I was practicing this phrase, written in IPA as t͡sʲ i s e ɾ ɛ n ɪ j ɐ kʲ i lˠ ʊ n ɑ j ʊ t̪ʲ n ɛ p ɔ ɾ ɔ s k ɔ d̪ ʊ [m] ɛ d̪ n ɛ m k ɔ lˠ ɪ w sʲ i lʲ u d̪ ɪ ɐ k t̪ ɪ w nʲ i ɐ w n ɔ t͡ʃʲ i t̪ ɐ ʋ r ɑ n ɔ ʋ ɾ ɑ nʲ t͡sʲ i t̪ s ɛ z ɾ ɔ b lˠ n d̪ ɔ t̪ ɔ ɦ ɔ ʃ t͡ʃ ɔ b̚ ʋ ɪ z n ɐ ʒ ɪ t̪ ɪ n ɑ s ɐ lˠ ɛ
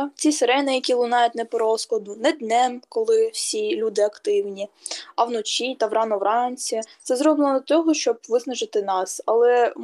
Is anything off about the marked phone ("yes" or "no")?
yes